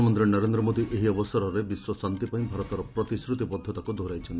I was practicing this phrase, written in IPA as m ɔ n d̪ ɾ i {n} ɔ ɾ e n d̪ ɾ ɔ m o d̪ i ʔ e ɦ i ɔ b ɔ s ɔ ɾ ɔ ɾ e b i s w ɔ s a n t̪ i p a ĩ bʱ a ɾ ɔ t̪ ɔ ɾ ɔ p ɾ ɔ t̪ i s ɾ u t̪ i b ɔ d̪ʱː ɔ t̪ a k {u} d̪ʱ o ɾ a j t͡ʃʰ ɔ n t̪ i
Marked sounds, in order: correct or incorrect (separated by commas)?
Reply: correct, correct